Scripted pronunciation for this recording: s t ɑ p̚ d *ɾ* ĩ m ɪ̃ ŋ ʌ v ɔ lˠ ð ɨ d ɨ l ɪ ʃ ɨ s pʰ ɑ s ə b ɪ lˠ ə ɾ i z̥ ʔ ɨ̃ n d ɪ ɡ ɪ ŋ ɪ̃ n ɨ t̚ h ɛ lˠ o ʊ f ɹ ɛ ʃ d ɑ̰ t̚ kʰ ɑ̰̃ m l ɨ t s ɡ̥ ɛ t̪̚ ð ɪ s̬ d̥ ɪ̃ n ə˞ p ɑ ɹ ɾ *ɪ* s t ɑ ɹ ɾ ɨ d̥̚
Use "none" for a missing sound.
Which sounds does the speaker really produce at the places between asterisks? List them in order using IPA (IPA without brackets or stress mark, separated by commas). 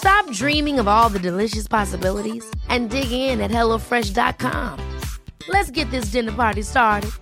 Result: ɹ, i